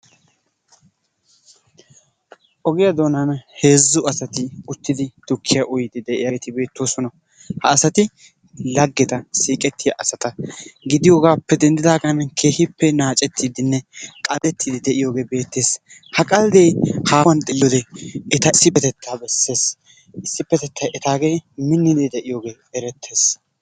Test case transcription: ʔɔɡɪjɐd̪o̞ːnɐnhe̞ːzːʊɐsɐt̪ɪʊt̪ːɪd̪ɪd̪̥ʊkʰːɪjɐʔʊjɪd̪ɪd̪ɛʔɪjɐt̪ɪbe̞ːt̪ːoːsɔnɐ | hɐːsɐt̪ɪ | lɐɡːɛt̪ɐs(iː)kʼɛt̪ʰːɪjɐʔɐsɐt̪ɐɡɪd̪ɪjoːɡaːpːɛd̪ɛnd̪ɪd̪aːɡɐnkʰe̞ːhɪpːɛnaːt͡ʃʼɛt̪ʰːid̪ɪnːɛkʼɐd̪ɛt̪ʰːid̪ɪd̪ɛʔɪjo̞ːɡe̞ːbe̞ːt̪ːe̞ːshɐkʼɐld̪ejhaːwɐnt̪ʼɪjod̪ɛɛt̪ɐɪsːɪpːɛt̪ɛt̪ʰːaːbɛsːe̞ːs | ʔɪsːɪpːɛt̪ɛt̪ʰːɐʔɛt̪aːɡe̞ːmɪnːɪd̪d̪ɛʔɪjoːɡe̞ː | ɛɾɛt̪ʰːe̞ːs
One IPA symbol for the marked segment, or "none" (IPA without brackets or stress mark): iː